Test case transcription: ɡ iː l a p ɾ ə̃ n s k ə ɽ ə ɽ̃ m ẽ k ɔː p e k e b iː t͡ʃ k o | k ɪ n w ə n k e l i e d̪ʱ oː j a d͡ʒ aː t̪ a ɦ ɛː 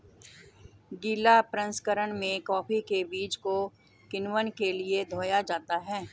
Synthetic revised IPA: ɡ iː l a p ɾ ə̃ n s k ə ɾ ə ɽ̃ m ẽ k ɔː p i k e b iː t͡ʃ k o | k ɪ n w ə n k e l i e d̪ʱ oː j a d͡ʒ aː t̪ a ɦ ɛː